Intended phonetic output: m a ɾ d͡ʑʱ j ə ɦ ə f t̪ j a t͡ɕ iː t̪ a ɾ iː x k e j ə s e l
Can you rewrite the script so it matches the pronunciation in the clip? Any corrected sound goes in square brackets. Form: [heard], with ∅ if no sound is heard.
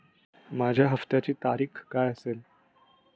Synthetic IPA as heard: m a [∅] d͡ʑʱ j [a] ɦ ə f t̪ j a t͡ɕ iː t̪ a ɾ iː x k [a] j ə s e l